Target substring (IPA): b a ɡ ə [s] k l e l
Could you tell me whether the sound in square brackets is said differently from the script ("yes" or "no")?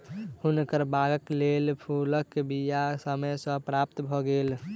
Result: yes